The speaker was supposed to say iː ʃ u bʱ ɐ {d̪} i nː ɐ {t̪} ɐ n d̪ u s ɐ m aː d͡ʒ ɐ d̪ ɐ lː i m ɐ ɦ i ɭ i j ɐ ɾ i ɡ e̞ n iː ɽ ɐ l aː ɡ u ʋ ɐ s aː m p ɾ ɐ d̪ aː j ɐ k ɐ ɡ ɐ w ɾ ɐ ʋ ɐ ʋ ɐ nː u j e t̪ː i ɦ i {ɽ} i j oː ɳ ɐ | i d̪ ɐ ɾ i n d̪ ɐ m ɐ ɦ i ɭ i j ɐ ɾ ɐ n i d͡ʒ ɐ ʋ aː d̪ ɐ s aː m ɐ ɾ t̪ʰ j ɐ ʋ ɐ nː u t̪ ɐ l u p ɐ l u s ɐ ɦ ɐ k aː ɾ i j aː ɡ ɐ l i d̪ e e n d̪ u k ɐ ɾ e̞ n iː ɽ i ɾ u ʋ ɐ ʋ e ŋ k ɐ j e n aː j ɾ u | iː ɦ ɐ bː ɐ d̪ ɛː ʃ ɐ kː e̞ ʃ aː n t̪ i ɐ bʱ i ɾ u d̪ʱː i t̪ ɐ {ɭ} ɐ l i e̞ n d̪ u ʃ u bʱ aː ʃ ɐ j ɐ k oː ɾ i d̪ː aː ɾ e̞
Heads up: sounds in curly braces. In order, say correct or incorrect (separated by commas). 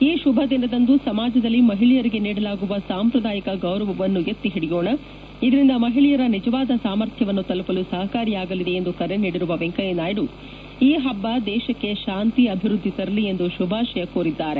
correct, incorrect, correct, incorrect